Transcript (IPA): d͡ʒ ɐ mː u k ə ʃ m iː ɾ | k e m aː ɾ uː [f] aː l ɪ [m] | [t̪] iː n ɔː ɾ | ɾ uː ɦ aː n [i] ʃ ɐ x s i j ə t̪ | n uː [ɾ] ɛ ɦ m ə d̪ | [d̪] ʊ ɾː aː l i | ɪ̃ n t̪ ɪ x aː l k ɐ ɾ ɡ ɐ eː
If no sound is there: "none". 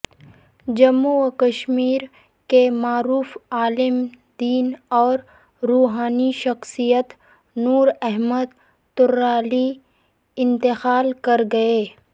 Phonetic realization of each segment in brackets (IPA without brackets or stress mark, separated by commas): f, m, d̪, i, ɾ, t̪